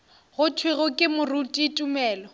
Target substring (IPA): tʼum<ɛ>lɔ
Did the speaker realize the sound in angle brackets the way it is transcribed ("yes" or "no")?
no